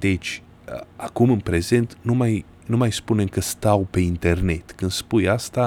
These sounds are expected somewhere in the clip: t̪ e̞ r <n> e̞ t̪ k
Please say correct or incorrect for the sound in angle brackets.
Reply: correct